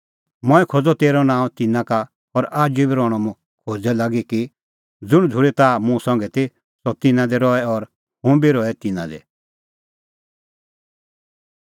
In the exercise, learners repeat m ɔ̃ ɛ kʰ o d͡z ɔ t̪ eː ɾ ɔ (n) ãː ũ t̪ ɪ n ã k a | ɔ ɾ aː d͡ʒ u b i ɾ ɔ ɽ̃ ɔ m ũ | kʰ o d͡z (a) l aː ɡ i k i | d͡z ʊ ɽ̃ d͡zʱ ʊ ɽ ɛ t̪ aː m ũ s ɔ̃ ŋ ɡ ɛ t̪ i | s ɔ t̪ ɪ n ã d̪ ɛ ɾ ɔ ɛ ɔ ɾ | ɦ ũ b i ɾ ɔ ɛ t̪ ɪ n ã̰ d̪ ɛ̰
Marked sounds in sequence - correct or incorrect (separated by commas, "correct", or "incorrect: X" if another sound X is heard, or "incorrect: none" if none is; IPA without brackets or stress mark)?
correct, incorrect: ɛ